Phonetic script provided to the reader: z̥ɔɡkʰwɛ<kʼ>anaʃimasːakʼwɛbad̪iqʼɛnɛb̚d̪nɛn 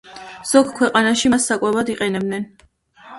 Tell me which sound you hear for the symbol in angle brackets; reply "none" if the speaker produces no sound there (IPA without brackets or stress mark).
qʼ